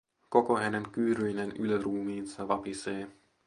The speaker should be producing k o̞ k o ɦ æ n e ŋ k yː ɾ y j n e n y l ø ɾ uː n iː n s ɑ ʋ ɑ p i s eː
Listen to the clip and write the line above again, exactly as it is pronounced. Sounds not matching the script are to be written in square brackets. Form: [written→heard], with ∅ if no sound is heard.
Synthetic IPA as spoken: k o̞ k o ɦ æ n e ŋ k yː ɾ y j n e n y l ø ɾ uː [n→m] iː n s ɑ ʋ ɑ p i s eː